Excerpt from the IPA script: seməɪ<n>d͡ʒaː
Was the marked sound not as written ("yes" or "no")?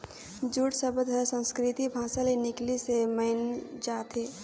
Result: no